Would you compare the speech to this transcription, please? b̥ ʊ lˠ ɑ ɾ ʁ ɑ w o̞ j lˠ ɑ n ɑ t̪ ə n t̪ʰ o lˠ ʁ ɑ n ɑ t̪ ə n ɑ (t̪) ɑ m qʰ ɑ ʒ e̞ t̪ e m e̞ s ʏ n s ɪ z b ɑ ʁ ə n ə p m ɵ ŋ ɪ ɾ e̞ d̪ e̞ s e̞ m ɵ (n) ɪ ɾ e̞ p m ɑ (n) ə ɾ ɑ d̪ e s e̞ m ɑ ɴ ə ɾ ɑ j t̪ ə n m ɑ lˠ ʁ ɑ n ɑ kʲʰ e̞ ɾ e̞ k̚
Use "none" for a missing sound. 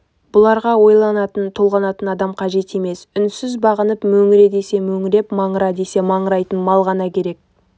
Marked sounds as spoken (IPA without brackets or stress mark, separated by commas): d̪, ŋ, ɴ